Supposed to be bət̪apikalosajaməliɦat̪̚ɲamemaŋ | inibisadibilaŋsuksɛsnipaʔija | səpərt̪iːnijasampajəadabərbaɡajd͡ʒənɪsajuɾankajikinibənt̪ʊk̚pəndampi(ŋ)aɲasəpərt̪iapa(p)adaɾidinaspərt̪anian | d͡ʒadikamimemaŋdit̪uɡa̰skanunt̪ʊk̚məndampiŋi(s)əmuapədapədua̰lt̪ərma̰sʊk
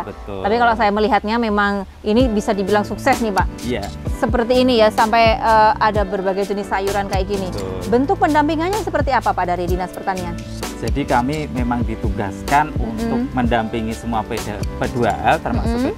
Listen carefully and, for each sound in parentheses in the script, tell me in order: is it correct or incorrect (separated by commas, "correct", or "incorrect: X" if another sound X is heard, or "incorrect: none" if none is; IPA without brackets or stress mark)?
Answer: correct, correct, correct